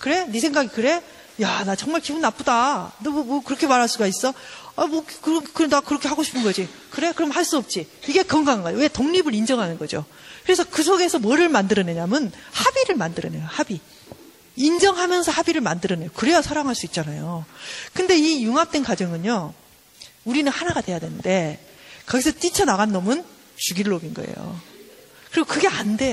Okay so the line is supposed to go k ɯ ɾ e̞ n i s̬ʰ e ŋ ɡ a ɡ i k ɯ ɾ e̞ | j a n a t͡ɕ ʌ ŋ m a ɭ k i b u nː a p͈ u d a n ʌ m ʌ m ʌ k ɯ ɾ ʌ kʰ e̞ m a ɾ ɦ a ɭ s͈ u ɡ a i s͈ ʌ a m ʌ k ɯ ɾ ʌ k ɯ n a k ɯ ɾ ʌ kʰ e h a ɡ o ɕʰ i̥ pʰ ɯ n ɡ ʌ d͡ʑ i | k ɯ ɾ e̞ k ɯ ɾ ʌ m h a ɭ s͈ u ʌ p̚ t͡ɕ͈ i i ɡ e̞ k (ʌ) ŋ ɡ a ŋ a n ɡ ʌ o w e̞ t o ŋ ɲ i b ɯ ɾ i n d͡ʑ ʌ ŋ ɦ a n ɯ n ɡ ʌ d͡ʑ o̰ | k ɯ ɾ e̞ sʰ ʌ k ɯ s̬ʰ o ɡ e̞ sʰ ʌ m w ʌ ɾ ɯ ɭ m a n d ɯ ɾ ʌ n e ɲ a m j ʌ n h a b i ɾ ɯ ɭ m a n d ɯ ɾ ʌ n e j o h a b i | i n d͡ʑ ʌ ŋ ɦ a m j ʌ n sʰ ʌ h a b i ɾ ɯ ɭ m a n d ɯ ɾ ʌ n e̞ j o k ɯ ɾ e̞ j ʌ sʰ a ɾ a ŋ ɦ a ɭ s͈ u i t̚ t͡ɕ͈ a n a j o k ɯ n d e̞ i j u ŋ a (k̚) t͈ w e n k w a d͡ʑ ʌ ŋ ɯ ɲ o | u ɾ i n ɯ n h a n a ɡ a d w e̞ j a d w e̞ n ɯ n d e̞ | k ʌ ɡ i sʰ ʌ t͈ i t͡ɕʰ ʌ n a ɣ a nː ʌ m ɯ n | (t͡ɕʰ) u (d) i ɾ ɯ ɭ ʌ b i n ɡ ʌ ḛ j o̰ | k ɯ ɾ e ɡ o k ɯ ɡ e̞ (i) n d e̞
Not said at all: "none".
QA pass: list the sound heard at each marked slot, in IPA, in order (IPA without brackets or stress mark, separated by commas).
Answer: ʌ, p̚, t͡ɕ, ɡ, a